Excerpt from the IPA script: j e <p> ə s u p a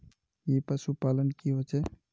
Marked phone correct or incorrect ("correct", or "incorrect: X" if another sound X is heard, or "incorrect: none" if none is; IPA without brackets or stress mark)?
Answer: correct